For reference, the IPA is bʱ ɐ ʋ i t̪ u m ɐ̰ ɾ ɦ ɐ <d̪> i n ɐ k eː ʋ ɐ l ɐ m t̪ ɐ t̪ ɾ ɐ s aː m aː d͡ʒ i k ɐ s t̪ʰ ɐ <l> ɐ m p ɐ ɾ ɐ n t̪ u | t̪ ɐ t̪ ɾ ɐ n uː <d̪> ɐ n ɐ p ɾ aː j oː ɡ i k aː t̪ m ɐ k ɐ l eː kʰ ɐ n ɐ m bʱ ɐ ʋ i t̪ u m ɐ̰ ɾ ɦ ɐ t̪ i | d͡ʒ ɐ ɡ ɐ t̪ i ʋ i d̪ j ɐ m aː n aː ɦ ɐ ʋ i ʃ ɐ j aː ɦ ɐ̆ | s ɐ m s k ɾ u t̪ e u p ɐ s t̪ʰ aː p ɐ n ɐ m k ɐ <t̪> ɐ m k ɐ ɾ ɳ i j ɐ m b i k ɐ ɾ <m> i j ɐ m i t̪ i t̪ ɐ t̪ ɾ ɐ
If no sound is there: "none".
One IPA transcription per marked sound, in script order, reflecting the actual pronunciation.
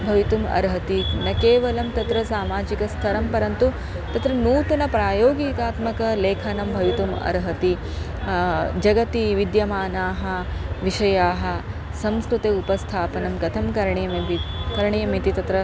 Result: t̪, ɾ, t̪, t̪ʰ, ɳ

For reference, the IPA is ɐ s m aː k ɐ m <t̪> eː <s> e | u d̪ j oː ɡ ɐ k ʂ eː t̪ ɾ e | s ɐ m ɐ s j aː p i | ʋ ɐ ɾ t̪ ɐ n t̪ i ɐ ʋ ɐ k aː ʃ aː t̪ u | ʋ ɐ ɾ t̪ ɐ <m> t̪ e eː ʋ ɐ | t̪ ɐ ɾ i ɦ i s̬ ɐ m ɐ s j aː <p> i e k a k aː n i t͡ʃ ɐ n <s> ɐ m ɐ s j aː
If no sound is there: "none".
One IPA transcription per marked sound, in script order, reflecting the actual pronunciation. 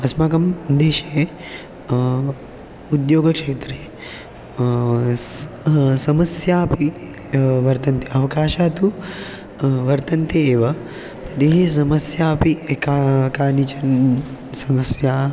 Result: d̪, ʃ, n, p, s

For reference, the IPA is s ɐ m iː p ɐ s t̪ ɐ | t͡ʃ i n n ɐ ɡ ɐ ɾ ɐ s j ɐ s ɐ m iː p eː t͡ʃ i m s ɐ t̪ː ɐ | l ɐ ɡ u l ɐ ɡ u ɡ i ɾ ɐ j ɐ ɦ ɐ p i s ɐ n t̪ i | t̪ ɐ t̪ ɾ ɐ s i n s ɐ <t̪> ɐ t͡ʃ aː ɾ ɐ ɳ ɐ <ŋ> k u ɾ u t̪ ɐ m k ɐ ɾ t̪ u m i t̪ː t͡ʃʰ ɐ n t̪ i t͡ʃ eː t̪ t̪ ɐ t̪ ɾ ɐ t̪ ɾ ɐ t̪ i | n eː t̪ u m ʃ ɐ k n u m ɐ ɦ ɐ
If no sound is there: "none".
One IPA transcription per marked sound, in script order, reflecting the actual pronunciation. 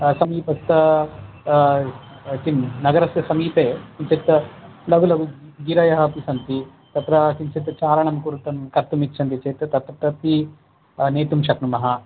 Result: t̪, m

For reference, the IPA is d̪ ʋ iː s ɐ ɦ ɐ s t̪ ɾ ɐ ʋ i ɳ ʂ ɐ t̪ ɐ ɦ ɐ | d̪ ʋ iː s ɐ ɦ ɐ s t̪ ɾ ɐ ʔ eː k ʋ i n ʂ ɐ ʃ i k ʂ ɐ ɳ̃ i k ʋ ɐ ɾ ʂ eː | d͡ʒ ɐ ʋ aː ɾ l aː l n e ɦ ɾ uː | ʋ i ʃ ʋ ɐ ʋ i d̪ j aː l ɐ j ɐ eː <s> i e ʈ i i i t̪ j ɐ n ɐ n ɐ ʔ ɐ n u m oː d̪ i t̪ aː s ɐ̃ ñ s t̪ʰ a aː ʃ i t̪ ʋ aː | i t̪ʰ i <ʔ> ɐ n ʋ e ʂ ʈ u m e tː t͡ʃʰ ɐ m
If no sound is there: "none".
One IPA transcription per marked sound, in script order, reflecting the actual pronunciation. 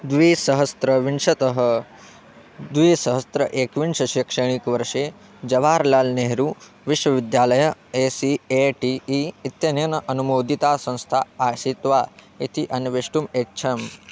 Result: s, ʔ

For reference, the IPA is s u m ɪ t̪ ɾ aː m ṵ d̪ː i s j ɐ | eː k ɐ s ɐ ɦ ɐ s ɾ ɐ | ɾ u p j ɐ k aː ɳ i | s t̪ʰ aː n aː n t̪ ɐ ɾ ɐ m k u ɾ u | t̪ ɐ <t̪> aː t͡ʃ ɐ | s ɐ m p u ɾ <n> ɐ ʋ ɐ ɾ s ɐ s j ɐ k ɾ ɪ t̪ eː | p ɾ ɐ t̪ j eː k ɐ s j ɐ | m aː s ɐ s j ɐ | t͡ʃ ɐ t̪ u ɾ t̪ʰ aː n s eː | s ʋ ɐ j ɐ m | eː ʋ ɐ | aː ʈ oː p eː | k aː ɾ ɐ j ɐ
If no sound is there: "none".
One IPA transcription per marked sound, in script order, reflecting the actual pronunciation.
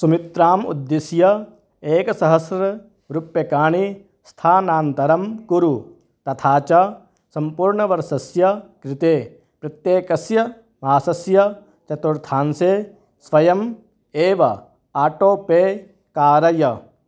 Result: t̪ʰ, ɳ

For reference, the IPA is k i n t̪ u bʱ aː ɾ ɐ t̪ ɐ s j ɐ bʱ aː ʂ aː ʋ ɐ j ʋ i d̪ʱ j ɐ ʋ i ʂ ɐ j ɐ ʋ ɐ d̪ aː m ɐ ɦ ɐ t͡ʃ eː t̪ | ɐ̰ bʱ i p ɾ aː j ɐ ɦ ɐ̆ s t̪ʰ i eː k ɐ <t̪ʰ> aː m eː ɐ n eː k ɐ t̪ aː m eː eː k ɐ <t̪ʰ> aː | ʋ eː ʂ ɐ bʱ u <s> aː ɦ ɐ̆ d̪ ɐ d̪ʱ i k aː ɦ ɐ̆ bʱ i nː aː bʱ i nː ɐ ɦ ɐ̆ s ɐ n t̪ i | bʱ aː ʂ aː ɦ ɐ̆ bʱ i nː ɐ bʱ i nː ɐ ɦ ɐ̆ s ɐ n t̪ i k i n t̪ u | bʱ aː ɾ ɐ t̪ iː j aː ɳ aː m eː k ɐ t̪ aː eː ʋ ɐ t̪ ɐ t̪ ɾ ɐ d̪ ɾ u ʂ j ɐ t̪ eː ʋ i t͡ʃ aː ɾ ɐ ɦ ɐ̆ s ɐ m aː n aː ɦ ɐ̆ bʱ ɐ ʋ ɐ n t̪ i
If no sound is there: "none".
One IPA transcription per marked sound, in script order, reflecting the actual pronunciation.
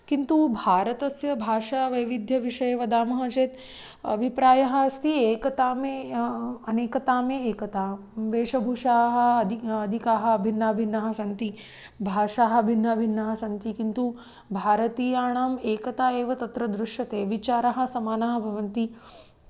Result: t̪, t̪, ʂ

